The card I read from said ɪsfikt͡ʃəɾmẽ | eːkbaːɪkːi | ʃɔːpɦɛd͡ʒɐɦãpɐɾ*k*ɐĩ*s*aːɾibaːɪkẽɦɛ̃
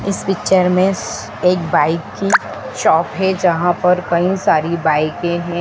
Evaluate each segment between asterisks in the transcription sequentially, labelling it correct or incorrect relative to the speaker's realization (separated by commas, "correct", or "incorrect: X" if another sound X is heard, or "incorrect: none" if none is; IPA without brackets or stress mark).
correct, correct